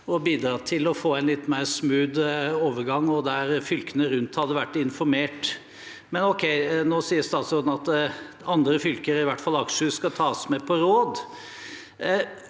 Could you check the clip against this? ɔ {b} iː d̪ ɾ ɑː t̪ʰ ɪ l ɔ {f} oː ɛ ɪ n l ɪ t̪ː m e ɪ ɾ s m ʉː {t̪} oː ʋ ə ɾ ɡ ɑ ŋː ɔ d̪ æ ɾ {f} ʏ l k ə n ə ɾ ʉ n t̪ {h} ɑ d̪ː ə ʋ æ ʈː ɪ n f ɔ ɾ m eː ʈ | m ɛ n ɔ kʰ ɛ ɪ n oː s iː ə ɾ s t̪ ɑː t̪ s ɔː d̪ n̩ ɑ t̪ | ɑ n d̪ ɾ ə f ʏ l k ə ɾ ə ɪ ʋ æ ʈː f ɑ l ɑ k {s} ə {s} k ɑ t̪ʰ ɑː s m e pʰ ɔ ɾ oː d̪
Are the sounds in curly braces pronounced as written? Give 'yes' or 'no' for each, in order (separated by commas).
yes, yes, no, yes, yes, no, yes